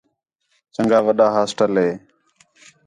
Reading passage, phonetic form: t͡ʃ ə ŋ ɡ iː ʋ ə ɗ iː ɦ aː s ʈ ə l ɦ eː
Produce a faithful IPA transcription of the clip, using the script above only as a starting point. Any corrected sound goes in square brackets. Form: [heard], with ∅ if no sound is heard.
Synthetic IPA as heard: t͡ʃ ə ŋ ɡ [aː] ʋ ə ɗ [aː] ɦ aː s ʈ ə l ɦ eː